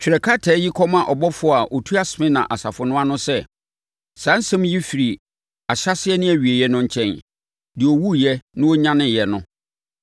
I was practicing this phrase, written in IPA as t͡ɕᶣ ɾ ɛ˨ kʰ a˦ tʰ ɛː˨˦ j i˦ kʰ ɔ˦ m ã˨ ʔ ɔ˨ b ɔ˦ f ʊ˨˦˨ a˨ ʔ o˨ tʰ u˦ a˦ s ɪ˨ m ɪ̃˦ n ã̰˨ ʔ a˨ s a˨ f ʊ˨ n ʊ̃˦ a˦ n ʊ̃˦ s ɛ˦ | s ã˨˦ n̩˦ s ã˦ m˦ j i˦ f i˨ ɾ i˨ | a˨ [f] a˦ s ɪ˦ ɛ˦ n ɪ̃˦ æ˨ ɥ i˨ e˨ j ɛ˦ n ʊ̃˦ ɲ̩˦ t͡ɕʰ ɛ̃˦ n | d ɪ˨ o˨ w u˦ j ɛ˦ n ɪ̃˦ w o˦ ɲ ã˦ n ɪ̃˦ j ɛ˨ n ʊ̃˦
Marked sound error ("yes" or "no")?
yes